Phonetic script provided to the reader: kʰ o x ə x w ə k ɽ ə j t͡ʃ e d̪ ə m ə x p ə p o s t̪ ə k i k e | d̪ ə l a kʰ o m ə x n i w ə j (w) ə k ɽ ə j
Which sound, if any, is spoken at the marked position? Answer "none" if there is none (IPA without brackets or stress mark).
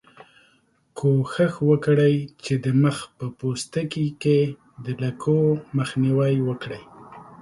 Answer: w